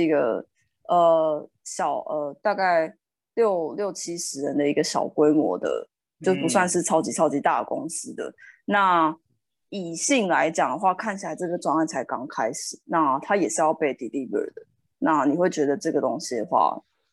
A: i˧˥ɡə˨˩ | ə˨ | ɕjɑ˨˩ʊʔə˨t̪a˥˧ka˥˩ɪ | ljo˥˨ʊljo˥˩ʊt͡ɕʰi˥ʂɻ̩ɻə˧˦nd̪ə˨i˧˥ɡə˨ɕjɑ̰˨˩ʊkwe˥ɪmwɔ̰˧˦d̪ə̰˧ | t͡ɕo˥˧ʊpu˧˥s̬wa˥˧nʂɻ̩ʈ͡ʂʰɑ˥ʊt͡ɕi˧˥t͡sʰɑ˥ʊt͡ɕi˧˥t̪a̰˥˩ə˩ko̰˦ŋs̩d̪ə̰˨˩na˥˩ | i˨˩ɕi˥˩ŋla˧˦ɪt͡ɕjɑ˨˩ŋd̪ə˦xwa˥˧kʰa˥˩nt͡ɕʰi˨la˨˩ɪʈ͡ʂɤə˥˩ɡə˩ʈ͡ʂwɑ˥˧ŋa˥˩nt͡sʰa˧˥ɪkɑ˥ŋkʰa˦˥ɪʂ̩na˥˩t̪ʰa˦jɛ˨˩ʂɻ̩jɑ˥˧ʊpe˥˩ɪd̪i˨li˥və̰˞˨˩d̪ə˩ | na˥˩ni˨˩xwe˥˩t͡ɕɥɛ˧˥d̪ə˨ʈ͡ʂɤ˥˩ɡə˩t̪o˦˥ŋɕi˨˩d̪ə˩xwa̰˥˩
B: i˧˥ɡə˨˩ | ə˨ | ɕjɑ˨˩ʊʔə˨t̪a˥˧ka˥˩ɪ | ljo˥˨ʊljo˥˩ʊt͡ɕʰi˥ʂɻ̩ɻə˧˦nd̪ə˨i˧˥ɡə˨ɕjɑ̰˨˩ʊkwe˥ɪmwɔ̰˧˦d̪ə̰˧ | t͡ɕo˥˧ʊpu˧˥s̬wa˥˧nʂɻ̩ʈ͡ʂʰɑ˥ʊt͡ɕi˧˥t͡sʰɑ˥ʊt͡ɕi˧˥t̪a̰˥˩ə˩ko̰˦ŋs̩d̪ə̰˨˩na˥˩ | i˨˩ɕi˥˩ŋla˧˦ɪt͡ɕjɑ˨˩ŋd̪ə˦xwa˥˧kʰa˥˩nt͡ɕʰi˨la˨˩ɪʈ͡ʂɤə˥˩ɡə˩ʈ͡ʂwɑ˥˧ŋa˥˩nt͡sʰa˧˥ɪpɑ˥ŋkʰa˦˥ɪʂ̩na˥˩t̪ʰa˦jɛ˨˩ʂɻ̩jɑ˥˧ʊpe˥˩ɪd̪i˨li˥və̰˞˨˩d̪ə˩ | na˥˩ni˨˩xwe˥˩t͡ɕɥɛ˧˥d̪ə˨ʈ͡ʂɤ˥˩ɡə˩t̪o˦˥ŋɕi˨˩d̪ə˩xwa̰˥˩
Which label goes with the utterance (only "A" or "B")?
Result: A